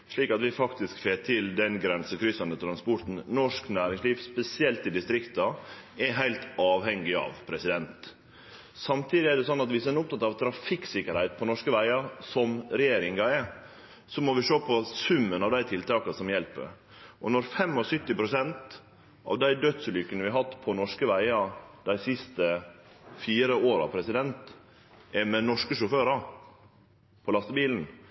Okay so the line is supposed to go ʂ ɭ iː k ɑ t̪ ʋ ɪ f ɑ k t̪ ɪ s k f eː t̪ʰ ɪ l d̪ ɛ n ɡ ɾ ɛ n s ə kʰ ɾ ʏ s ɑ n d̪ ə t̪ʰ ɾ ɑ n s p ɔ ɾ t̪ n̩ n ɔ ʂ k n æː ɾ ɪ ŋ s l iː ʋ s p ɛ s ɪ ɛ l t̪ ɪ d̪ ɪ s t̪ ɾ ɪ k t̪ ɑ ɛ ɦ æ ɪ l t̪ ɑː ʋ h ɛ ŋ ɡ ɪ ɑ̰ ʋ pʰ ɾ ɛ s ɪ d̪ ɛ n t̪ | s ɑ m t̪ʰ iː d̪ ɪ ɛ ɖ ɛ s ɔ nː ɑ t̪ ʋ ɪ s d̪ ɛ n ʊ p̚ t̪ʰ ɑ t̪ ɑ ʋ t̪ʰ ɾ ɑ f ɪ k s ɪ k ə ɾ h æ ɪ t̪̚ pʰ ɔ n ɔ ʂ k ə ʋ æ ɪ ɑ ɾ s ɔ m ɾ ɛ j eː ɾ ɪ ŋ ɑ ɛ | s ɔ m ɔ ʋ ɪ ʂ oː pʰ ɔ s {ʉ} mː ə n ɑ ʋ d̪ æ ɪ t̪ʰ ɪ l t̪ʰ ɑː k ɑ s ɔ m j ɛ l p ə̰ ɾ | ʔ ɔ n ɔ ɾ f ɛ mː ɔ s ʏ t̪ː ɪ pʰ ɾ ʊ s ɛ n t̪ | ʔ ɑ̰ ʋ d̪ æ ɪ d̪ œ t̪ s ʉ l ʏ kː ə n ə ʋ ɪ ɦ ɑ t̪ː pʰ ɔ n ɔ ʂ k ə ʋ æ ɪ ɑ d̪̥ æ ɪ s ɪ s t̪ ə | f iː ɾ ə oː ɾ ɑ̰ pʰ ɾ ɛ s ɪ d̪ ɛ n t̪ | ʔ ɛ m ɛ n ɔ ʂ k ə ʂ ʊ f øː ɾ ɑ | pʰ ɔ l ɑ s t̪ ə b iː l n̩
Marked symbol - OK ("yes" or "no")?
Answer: yes